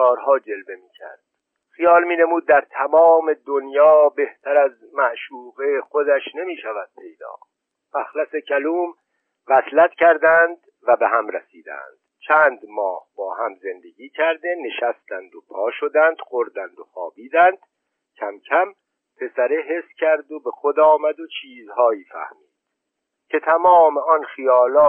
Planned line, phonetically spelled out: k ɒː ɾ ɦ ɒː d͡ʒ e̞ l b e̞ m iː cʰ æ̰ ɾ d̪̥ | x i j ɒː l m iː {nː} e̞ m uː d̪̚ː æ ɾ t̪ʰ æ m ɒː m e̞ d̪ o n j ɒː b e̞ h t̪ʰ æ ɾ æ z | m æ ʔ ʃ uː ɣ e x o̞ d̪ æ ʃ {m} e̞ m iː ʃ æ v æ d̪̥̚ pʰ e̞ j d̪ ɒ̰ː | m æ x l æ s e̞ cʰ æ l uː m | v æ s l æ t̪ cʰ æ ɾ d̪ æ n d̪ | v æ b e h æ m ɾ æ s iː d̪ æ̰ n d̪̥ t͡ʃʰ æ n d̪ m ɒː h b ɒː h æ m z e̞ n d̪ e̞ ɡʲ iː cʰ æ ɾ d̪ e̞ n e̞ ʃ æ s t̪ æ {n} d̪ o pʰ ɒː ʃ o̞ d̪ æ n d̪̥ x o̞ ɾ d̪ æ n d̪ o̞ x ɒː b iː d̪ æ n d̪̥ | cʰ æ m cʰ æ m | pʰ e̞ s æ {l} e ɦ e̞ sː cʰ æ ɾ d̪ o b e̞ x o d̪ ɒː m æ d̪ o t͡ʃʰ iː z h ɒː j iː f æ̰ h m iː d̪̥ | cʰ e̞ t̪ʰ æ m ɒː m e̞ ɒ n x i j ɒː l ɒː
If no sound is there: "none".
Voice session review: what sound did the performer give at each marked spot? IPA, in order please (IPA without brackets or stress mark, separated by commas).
n, n, n, ɾ